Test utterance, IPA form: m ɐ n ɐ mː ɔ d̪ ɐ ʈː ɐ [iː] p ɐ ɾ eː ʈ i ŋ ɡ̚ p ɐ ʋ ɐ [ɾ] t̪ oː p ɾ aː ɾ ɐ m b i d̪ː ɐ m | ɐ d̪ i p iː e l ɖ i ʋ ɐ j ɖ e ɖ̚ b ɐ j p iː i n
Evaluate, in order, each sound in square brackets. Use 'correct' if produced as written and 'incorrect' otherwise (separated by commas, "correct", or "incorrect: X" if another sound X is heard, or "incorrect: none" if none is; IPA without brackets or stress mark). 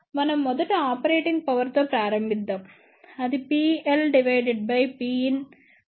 incorrect: aː, correct